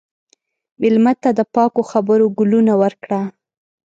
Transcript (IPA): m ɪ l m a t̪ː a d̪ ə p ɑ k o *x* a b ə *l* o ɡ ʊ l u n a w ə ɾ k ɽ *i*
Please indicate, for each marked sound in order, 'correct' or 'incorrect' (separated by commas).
correct, incorrect, incorrect